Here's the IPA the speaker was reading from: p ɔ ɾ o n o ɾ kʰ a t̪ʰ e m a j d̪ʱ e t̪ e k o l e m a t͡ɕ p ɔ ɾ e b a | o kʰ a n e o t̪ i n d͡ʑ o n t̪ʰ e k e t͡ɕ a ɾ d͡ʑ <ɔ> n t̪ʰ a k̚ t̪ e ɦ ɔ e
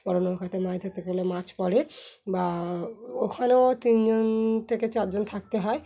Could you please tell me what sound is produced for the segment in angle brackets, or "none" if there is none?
o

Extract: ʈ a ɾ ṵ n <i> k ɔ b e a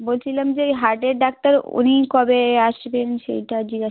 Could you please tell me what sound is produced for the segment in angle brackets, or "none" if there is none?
i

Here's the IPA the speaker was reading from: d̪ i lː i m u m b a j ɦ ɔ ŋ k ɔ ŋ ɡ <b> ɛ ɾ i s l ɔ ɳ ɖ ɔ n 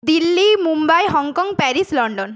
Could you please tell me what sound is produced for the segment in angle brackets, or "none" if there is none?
p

